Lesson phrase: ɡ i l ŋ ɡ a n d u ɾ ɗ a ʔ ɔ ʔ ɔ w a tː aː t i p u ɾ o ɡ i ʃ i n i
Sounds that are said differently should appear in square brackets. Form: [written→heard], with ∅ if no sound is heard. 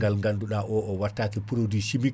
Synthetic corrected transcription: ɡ [i→a] l ŋ ɡ a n d u [ɾ→∅] ɗ a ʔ ɔ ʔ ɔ w a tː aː [t→k] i p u ɾ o [ɡ→d] i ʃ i [n→m] i